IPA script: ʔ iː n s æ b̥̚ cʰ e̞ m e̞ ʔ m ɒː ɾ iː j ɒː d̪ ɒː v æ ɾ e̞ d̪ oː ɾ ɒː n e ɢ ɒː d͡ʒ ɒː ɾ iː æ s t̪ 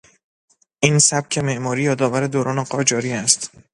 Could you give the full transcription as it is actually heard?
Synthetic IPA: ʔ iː n s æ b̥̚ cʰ e̞ m e̞ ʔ m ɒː ɾ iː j ɒː d̪ ɒː v æ ɾ e̞ d̪ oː ɾ ɒː n e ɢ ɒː d͡ʒ ɒː ɾ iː æ s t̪